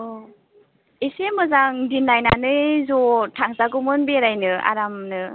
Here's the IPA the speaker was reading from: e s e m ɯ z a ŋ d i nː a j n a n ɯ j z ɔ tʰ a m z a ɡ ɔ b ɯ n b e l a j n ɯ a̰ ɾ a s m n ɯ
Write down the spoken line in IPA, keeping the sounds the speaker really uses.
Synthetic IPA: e s e m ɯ z a ŋ d i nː a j n a n ɯ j z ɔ tʰ a ŋ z a ɡ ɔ m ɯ n b e ɾ a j n ɯ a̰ ɾ a m n ɯ